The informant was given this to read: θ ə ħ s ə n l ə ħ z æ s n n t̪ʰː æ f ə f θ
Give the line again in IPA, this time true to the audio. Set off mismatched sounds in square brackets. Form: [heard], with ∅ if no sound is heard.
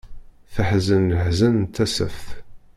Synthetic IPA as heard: θ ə ħ [z] ə n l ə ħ z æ [∅] n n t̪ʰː æ [s] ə f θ